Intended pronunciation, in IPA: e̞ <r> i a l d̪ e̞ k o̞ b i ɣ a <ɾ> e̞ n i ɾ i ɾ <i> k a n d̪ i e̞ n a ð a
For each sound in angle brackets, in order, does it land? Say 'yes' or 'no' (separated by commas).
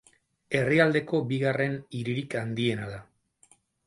yes, no, yes